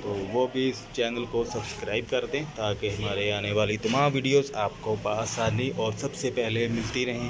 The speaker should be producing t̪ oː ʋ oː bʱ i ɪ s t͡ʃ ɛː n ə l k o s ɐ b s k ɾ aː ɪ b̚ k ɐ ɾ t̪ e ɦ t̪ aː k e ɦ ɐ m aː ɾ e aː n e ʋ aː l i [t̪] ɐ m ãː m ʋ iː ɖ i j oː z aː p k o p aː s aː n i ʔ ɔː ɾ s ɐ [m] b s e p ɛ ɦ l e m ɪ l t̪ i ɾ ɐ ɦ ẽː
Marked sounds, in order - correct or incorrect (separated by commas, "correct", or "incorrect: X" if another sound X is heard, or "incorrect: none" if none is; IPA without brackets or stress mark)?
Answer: correct, incorrect: none